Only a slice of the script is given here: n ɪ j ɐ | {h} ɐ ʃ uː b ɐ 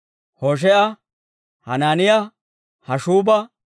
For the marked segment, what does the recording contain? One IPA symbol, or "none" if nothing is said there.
h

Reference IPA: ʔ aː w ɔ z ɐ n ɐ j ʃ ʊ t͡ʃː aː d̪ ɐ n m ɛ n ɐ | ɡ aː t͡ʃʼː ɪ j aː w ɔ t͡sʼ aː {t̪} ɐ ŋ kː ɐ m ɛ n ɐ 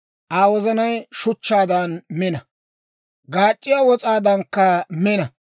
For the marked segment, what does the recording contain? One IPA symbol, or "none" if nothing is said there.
d̪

